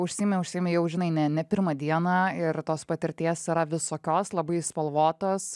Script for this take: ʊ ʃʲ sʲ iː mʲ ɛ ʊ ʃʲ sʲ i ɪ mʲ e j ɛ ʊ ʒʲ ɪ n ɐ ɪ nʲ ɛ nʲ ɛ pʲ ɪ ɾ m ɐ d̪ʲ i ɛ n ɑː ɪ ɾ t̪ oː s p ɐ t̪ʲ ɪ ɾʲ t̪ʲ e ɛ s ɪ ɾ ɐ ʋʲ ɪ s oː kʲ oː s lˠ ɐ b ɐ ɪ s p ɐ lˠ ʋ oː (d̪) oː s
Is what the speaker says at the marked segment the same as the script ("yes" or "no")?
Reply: no